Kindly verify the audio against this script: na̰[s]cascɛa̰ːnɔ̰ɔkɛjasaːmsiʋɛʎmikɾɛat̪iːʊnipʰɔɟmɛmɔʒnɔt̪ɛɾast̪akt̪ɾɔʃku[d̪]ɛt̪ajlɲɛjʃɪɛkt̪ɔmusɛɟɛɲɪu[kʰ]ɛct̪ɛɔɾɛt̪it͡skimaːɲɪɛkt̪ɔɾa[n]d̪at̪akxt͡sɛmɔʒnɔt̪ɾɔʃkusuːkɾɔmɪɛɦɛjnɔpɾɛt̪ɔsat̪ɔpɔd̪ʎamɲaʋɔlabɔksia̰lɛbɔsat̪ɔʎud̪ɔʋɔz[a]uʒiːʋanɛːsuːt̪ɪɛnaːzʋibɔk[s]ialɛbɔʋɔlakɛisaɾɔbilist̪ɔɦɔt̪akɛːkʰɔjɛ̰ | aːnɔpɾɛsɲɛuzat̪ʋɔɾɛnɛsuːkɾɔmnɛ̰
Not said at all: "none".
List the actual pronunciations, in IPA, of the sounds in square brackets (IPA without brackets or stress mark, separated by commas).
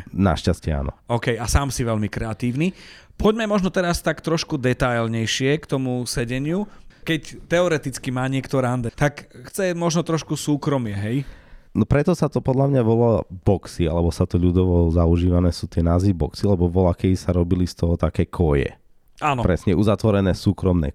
ʃ, d̪, k, n, a, s